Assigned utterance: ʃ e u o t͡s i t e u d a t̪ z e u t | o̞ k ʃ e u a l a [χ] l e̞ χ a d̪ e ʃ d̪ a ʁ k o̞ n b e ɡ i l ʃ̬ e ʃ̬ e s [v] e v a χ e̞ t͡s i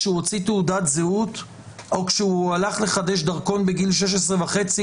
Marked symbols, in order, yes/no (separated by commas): yes, no